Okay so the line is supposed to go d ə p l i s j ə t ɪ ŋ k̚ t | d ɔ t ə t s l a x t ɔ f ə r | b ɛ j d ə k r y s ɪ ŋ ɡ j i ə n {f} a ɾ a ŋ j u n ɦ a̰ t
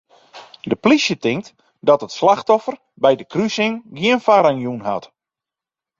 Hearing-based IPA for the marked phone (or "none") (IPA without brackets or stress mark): f